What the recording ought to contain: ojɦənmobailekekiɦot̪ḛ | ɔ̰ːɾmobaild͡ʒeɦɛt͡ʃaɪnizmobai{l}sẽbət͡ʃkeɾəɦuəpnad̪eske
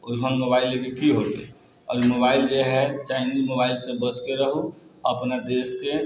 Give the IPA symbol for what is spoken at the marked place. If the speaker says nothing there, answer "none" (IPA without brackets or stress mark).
l